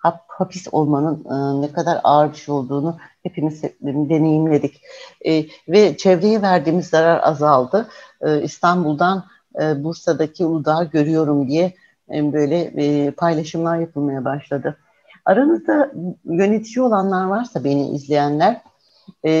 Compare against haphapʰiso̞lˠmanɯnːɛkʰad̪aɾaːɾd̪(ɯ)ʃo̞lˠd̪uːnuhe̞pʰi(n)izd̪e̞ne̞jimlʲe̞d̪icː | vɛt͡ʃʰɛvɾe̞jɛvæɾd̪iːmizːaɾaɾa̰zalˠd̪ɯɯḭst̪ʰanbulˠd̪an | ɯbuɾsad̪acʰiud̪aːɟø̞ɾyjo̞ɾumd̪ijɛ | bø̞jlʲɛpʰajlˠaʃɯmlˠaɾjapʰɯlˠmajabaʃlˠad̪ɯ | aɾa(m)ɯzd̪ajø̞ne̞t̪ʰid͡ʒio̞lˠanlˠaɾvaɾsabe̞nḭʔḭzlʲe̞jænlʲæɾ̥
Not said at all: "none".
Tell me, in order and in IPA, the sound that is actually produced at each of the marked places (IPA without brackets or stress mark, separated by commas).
ɯ, m, n